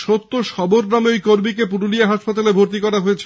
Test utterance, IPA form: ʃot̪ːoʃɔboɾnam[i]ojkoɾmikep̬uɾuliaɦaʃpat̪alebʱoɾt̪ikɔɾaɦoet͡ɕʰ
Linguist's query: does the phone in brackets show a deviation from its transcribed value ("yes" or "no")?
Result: yes